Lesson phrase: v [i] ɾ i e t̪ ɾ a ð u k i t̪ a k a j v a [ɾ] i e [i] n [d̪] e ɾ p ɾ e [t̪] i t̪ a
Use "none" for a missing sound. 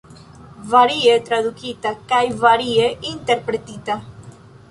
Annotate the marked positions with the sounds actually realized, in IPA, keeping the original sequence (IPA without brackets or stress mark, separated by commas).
a, ɾ, i, t̪, t̪